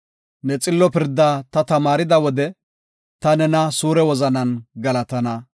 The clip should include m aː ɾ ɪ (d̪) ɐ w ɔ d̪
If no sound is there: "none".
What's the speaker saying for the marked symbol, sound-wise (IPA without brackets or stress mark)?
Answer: d̪